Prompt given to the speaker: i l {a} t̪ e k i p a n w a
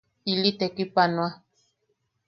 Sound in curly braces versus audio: incorrect: i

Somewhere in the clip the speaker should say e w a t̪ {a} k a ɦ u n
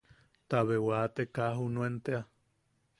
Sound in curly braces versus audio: incorrect: e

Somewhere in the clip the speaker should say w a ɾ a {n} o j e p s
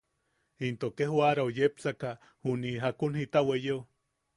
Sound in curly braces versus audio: incorrect: none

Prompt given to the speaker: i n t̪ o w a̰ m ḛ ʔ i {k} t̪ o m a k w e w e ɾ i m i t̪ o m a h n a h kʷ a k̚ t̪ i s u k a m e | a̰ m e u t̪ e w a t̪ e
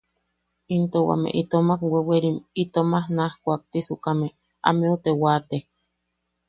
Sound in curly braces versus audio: incorrect: none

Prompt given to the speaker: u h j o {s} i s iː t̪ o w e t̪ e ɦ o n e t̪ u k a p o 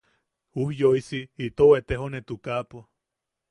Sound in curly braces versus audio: incorrect: none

